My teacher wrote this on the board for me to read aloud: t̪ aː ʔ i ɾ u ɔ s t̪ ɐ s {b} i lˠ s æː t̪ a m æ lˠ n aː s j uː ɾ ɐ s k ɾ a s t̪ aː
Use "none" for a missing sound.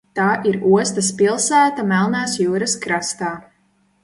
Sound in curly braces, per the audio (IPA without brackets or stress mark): p